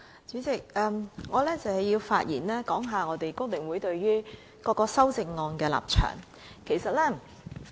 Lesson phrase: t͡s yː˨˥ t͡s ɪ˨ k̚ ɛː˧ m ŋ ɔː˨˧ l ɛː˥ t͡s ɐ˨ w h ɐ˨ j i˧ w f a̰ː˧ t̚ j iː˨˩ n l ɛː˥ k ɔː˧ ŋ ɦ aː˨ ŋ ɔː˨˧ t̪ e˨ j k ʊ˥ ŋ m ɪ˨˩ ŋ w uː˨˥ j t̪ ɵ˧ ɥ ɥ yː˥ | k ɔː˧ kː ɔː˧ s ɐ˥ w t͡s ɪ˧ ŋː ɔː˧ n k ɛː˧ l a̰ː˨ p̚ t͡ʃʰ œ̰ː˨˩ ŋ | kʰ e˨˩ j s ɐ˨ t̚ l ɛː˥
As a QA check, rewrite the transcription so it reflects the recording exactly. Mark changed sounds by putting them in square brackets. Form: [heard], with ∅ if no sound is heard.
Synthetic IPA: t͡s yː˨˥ t͡s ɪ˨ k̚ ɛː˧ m ŋ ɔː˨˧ l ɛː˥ t͡s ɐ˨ w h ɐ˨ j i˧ w f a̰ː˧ t̚ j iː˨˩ n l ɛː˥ k [ɔː˨˥] ŋ ɦ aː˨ ŋ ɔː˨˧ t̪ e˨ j k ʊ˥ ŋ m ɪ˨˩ ŋ w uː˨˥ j t̪ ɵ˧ ɥ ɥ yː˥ | k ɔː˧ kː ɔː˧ s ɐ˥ w t͡s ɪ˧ ŋː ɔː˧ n k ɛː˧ l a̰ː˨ p̚ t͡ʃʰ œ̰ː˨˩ ŋ | kʰ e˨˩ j s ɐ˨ t̚ l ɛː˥

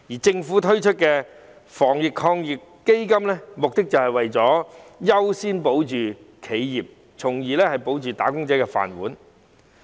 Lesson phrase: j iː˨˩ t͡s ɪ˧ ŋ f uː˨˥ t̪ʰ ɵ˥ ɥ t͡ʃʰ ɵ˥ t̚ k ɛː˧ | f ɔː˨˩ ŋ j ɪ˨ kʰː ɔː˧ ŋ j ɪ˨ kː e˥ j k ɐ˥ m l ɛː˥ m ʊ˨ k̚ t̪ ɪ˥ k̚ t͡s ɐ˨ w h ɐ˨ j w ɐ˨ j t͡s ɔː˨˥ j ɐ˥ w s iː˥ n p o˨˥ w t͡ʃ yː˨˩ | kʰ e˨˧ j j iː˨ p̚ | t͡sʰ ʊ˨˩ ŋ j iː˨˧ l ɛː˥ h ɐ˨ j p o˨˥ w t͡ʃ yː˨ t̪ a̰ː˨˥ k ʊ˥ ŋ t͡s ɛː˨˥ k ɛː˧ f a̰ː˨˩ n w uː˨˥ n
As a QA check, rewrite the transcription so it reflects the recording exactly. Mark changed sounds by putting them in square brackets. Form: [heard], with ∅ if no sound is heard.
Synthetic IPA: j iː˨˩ t͡s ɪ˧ ŋ f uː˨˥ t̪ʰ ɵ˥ ɥ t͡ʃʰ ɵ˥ t̚ k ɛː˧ | f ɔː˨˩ ŋ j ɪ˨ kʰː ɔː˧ ŋ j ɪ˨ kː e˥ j k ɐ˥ m l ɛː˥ m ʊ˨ k̚ t̪ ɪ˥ k̚ t͡s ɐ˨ w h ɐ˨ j w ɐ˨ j t͡s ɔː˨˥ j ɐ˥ w s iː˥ n p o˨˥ w t͡ʃ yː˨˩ | kʰ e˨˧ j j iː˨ p̚ | t͡sʰ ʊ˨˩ ŋ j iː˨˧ l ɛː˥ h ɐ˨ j p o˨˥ w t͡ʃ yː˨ t̪ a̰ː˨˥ k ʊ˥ ŋ t͡s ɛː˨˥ k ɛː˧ f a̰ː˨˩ n w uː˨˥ n

